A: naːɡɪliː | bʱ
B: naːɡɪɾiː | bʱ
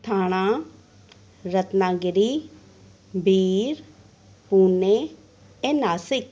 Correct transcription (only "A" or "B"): B